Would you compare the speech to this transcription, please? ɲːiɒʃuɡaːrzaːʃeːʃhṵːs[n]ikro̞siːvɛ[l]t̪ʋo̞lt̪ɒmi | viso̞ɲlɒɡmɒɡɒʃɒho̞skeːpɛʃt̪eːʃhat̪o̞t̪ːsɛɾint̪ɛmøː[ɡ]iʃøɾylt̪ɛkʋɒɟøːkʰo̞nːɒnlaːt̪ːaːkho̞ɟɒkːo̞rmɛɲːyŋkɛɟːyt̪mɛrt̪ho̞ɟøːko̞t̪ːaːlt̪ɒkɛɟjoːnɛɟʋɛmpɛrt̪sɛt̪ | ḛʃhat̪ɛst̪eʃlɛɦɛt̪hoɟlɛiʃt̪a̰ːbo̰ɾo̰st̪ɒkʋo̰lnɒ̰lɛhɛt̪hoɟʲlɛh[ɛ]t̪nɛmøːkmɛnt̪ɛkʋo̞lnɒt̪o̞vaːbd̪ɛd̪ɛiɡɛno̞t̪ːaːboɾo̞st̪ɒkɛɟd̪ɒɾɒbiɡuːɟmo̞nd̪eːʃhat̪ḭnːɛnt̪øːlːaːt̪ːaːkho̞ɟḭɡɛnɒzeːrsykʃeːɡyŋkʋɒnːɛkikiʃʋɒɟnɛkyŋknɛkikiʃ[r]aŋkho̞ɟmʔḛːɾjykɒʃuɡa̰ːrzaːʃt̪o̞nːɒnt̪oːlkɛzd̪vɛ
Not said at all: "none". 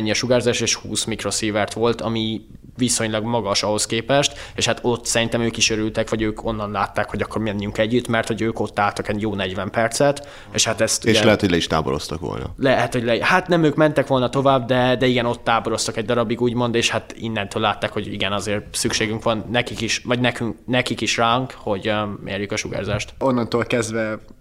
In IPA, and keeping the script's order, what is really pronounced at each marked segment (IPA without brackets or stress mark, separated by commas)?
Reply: m, r, k, a, r